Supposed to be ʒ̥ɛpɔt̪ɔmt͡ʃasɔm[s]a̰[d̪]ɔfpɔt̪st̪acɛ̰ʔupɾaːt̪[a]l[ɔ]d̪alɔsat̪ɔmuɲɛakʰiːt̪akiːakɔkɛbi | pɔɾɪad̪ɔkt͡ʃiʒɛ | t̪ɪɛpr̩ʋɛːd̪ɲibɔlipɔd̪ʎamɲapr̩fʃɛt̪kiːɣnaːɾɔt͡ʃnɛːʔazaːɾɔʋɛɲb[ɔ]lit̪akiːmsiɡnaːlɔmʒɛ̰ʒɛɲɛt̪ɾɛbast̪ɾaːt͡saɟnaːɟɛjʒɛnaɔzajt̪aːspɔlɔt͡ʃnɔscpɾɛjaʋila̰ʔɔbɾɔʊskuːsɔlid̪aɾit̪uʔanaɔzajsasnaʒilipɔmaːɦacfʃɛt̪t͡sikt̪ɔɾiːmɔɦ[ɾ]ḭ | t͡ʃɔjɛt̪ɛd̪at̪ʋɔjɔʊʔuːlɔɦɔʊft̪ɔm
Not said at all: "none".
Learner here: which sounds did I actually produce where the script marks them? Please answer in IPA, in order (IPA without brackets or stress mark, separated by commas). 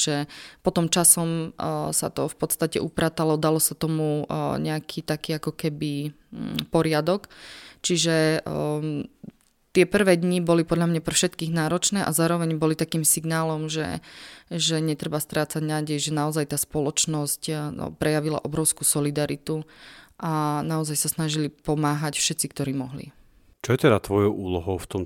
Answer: s, t̪, a, ɔ, ɔ, l